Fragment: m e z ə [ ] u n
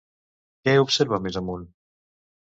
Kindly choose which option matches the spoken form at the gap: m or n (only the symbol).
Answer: m